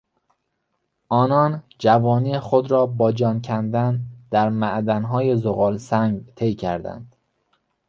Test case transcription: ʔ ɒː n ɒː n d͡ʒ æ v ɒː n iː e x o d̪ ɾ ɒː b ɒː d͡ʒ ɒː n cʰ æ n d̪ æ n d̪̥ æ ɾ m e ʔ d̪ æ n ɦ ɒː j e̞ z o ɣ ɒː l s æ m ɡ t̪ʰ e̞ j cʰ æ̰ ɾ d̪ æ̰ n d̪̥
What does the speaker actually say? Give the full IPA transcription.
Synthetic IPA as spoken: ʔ ɒː n ɒː n d͡ʒ æ v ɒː n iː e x o d̪ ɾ ɒː b ɒː d͡ʒ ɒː n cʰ æ n d̪ æ n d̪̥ æ ɾ m æ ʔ d̪ æ n ɦ ɒː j e̞ z o ɣ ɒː l s æ ŋ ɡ t̪ʰ e̞ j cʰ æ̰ ɾ d̪ æ̰ n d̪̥